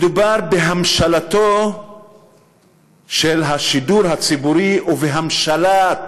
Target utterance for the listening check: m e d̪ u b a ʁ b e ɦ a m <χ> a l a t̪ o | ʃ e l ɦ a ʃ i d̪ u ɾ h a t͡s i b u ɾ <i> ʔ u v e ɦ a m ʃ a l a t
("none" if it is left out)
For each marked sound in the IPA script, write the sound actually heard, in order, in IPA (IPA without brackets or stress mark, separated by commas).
ʃ, i